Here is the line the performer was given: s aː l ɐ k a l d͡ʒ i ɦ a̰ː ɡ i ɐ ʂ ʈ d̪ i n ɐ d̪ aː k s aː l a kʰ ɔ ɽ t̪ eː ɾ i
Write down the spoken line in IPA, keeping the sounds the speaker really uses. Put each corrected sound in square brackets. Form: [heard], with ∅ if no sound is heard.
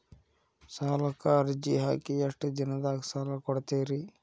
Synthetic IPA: s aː l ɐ k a [ɾ] d͡ʒ i ɦ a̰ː [k] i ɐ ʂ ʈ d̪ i n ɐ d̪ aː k s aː l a [k] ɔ ɽ t̪ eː ɾ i